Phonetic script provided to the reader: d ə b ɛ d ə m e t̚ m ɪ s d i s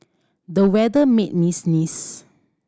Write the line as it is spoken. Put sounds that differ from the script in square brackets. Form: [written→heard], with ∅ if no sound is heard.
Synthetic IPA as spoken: d ə [b→w] ɛ d ə m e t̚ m [ɪ→i] s [d→n] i s

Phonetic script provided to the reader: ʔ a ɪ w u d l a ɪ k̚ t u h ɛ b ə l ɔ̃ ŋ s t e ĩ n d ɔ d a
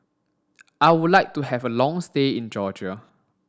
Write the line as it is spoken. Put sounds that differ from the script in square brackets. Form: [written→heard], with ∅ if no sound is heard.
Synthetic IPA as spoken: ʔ a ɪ w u d l a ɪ k̚ t u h ɛ [b→v] ə l ɔ̃ ŋ s t e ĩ n [d→d͡ʒ] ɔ [d→d͡ʒ] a

